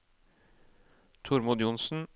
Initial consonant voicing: voiceless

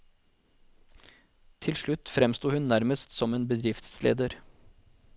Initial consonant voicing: voiceless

